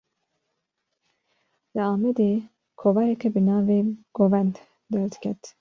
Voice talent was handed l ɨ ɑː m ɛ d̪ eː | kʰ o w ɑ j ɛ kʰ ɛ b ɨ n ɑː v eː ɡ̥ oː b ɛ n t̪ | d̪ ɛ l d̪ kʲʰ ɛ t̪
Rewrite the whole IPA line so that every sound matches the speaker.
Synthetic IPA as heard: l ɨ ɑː m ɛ d̪ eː | kʰ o v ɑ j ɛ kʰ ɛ b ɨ n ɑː v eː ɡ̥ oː v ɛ n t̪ | d̪ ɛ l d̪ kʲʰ ɛ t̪